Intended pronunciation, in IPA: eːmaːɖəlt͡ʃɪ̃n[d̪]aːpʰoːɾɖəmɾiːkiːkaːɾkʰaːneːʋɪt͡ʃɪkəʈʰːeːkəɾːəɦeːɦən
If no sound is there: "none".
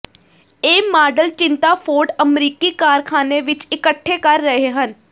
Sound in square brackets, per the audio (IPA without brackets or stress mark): t̪